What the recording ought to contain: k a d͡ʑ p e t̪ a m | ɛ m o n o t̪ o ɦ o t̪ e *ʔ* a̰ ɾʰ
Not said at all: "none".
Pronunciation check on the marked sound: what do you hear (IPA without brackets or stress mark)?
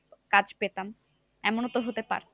p